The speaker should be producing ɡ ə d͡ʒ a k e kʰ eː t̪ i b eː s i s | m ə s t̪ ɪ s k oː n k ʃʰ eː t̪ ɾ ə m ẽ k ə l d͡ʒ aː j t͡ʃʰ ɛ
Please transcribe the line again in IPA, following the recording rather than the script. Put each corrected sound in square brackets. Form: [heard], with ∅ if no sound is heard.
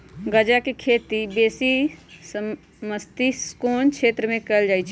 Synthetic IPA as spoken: ɡ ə d͡ʒ a k e kʰ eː t̪ i b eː s i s | m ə s t̪ [i] s k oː n k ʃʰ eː t̪ ɾ ə m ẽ k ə l d͡ʒ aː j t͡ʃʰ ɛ